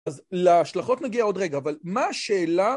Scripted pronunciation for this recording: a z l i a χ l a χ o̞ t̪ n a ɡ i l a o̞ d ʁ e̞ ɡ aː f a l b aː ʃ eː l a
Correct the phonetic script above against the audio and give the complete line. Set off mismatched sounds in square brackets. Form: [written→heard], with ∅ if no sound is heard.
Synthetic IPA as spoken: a z l [i→e] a [χ→ʃ] l a χ o̞ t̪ n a ɡ i [l→∅] a o̞ d ʁ e̞ ɡ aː [f→v] a l [b→m] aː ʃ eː l a